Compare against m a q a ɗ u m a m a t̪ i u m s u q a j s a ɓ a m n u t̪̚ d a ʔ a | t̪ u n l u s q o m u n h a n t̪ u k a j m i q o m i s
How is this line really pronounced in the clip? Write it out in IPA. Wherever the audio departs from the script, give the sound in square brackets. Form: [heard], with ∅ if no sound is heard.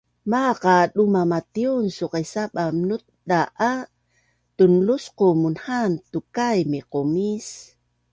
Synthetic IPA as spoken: m a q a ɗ u m a m a t̪ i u [n] s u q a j s a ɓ a m n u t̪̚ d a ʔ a | t̪ u n l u s q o m u n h a n t̪ u k a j m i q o m i s